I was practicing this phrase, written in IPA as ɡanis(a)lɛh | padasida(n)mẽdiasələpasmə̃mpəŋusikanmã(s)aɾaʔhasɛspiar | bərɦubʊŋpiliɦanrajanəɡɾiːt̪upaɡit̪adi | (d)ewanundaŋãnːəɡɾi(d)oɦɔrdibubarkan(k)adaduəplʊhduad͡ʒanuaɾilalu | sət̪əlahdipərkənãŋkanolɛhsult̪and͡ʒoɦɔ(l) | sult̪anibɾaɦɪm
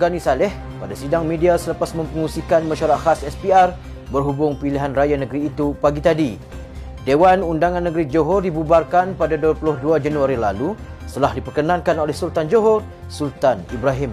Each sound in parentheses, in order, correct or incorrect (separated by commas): correct, incorrect, incorrect, correct, incorrect, incorrect, incorrect